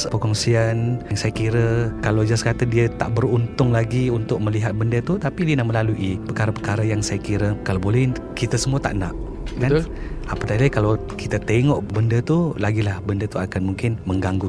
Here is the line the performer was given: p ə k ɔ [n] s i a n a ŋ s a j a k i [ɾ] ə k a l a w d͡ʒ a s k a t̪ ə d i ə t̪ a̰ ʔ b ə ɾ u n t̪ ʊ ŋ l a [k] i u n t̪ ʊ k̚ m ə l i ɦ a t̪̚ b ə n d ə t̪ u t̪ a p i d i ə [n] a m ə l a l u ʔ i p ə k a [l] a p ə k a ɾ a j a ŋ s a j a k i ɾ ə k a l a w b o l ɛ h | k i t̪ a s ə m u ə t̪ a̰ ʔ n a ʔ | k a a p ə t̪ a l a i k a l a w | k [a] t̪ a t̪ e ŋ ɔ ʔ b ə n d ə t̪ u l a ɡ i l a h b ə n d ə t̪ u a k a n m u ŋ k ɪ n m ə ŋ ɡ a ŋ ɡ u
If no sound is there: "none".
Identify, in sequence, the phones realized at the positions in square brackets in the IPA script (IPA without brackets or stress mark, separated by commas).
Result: ŋ, ɾ, ɡ, n, ɾ, i